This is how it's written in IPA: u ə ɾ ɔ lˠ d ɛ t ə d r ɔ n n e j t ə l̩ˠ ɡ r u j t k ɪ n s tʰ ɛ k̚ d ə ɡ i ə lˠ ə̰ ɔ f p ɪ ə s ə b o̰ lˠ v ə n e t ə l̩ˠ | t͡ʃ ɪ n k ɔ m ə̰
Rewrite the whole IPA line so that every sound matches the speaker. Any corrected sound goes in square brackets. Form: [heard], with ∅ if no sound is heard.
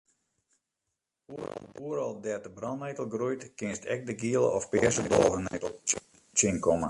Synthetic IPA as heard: u ə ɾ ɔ lˠ d ɛ t ə [b] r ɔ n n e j t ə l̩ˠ ɡ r u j t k ɪ n s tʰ ɛ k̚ d ə ɡ i ə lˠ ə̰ ɔ f p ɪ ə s ə b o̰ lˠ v ə n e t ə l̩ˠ | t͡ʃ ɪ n k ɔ m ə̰